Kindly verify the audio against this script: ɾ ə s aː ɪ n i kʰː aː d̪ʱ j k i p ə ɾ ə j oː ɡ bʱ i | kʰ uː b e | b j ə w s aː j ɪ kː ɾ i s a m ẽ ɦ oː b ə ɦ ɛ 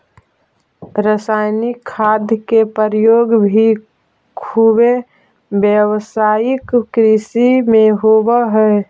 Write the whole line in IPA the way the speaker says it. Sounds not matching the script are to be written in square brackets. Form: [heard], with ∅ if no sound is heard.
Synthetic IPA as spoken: ɾ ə s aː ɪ n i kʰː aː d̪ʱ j k [e] p ə ɾ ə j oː ɡ bʱ i | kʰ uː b e | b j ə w s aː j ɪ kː ɾ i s [i] m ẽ ɦ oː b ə ɦ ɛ